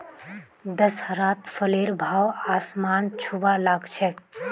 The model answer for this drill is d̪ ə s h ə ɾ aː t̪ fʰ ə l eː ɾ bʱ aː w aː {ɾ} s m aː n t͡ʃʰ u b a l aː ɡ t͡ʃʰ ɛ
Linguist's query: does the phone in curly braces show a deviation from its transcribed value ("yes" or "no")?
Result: yes